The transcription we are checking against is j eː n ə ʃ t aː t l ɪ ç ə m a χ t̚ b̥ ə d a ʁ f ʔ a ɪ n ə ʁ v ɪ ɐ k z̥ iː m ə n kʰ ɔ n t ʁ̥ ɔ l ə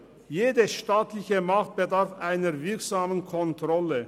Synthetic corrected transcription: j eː d ə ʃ t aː t l ɪ ç ə m a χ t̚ b̥ ə d a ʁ f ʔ a ɪ n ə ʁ v ɪ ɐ k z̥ aː m ə n kʰ ɔ n t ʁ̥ ɔ l ə

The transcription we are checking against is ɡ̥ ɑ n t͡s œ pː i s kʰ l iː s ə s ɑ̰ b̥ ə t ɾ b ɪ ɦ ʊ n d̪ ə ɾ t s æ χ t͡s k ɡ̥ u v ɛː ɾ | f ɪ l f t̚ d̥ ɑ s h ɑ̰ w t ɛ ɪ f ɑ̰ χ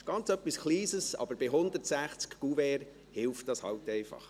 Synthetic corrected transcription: ɡ̥ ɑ n t͡s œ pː i s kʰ l iː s ə s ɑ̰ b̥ ə ɾ b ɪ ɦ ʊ n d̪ ə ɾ t s æ χ t͡s k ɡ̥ u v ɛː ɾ | h ɪ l f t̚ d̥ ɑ s h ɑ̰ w t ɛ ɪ f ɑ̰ χ

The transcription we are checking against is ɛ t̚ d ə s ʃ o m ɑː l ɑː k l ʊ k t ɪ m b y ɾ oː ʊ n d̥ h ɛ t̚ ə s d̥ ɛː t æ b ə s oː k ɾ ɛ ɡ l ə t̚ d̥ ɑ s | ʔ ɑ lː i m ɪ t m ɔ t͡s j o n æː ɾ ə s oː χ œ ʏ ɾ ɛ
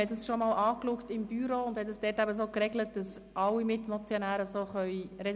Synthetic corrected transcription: ɛ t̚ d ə s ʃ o m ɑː l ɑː k l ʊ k t ɪ m b y ɾ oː ʊ n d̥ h ɛ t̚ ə s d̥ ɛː t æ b ə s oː k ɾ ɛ ɡ l ə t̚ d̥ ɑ s | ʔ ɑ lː i m ɪ t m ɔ t͡s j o n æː ɾ ə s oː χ œ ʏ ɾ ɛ

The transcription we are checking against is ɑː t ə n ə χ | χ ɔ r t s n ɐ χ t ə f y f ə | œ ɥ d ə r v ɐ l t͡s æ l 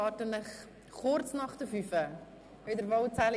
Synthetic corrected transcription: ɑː t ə n ə χ | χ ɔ r t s n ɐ χ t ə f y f ə | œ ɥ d ə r v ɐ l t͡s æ l

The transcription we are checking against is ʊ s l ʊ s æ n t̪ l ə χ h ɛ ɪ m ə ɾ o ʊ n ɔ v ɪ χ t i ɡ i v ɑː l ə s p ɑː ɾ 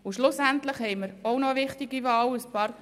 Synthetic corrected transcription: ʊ ʃ l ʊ s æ n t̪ l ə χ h ɛ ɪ m ə ɾ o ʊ n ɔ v ɪ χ t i ɡ i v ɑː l ə s p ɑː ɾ

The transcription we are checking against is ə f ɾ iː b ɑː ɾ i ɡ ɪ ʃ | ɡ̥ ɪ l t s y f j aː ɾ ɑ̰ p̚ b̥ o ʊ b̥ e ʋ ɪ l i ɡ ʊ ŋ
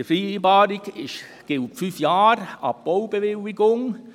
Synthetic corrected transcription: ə f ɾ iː b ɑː ɾ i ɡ ɪ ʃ | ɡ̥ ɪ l t f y f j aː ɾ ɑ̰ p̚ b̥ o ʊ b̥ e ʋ ɪ l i ɡ ʊ ŋ

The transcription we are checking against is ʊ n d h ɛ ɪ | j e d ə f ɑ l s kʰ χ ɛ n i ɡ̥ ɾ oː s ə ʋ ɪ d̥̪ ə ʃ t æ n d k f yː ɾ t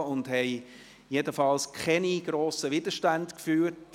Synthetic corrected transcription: ʊ n d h ɛ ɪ | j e d ə f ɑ l s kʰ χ ɛ n i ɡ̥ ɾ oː s ə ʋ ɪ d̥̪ ə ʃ t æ n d k f yː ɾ t

